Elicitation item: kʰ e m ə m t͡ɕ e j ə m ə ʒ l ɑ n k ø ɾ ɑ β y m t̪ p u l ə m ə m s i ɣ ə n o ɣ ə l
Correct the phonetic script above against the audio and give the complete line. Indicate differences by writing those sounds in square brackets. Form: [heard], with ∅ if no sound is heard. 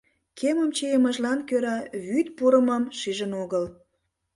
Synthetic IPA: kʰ e m ə m t͡ɕ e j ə m ə ʒ l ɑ n k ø ɾ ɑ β y [∅] t̪ p u [ɾ] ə m [ɑ] m [ʃ] i [ʒ] ə n o ɣ ə l